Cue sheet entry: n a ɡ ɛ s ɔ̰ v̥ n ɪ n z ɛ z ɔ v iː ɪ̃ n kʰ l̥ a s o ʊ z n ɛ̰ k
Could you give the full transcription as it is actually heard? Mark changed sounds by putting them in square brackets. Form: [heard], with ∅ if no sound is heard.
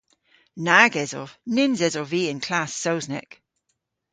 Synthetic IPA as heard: n a ɡ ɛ [z] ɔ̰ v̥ n ɪ n z ɛ z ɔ v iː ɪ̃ n kʰ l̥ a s o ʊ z n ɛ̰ k